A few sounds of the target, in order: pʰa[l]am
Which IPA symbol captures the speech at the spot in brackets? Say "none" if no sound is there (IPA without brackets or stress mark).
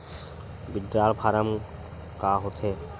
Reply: ɾ